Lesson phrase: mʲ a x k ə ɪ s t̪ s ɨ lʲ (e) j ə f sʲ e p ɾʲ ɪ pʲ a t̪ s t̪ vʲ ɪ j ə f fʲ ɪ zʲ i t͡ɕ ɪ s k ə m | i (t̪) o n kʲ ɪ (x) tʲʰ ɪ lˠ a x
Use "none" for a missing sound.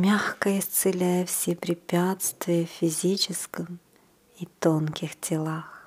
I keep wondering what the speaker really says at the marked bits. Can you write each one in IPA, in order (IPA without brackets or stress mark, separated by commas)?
æ, t̪, x